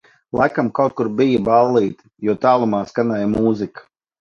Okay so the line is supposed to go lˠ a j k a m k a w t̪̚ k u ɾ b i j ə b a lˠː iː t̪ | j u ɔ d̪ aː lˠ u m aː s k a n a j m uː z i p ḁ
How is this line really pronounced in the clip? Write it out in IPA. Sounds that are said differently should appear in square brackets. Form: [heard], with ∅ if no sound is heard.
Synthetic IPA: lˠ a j k a m k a w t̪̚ k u ɾ b i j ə b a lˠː iː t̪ | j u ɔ [t̪] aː lˠ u m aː s k a n a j m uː z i [k] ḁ